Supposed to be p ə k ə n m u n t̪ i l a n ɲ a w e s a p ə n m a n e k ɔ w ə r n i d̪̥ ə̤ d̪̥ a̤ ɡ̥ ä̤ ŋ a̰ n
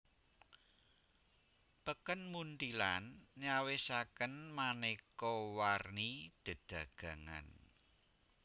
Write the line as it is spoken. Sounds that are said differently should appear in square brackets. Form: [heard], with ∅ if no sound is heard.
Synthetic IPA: p ə k ə n m u n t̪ i l a n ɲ a w e s a [k] ə n m a n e k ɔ w [a] r n i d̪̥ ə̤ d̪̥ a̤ ɡ̥ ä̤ ŋ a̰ n